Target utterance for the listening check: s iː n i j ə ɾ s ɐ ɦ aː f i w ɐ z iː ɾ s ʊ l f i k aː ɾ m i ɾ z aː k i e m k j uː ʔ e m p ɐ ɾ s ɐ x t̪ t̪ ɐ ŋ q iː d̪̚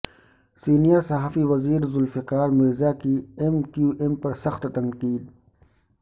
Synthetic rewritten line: s iː n i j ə ɾ s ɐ ɦ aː f i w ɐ z iː ɾ z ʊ l f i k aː ɾ m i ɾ z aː k i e m k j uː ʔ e m p ɐ ɾ s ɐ x t̪ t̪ ɐ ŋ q iː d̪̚